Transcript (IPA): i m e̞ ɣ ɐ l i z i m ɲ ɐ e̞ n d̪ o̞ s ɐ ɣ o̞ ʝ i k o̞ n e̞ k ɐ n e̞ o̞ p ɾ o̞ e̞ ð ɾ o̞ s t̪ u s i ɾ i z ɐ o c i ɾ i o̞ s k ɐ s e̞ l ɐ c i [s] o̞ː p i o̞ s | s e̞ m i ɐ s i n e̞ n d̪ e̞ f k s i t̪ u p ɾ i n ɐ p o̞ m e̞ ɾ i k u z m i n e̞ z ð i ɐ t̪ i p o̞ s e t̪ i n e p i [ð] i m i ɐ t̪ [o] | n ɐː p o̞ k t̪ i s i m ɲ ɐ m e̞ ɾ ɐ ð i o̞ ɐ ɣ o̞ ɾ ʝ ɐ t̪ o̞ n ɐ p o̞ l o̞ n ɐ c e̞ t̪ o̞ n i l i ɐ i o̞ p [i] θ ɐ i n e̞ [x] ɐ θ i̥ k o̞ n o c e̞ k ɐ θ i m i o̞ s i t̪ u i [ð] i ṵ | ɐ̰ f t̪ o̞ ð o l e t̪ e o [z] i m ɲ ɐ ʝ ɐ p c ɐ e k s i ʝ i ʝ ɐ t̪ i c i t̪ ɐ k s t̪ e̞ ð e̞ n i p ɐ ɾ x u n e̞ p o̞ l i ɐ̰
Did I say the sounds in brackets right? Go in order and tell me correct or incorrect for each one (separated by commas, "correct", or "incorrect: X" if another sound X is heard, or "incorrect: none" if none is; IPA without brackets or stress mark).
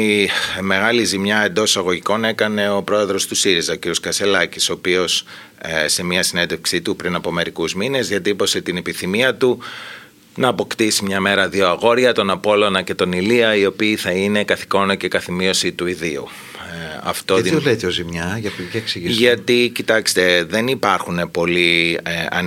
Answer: correct, incorrect: θ, incorrect: u, incorrect: iː, incorrect: k, correct, correct